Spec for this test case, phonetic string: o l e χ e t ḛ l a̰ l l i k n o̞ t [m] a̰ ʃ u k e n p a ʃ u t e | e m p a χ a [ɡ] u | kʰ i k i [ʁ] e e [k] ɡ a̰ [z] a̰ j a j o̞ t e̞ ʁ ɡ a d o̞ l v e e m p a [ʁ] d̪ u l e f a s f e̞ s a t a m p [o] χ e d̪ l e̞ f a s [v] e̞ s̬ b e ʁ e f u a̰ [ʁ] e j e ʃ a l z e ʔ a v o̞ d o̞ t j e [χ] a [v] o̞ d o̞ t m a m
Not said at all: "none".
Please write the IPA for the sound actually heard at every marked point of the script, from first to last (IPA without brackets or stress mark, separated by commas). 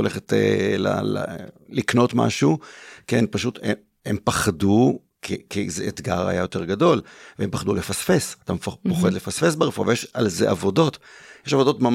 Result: m, d, z, t, ʁ, χ, o, f, v, ʃ, v